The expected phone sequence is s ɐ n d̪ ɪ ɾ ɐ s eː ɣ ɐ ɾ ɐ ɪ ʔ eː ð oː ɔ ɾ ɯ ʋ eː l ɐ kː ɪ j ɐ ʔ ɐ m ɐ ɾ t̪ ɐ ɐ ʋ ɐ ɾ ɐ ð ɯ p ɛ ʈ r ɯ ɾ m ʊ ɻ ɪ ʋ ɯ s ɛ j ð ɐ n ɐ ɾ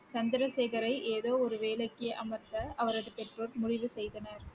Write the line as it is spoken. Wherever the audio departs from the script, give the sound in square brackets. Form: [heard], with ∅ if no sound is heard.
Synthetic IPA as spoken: s ɐ n d̪ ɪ ɾ ɐ s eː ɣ ɐ ɾ ɐ ɪ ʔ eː ð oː ɔ ɾ ɯ ʋ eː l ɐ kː ɪ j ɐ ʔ ɐ m ɐ ɾ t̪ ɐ ɐ ʋ ɐ ɾ ɐ ð ɯ p ɛ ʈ r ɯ ɾ m ʊ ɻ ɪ ʋ ɯ s ɛ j ð ɐ n ɐ ɾ

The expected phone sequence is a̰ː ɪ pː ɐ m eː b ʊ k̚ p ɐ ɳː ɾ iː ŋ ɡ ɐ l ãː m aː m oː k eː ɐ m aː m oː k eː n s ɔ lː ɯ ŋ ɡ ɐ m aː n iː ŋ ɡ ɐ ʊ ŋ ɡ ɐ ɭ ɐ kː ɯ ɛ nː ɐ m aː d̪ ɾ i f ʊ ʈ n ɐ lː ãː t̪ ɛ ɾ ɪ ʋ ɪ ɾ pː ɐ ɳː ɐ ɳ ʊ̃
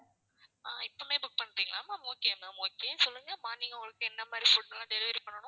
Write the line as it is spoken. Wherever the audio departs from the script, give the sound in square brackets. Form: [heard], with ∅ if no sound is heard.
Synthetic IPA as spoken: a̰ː ɪ pː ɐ m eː b ʊ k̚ p ɐ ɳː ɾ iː ŋ ɡ ɐ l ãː m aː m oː k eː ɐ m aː m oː k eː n s ɔ lː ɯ ŋ ɡ ɐ m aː n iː ŋ ɡ ɐ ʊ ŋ ɡ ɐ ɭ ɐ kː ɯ ɛ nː ɐ m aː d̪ ɾ i f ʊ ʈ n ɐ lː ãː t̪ ɛ ɾ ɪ ʋ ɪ ɾ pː ɐ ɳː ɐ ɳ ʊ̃

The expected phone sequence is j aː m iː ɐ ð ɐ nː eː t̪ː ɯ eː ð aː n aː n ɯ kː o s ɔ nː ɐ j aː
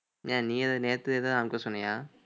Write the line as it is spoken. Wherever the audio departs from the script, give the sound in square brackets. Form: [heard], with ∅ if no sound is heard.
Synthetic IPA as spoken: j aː [n] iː ɐ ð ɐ [n] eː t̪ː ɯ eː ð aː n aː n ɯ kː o s ɔ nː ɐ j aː

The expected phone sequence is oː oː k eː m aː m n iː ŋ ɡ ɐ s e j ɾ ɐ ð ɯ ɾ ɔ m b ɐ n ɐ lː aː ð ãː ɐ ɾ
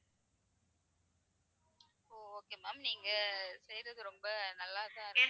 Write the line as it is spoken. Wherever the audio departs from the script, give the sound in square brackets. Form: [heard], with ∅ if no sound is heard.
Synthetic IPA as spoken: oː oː k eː m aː m n iː ŋ ɡ ɐ s [ɛ] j ɾ ɐ ð ɯ ɾ ɔ m b ɐ n ɐ lː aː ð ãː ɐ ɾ

